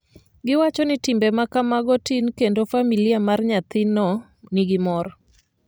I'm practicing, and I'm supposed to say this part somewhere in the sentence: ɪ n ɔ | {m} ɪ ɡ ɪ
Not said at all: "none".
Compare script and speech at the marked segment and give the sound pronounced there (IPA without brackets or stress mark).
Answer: n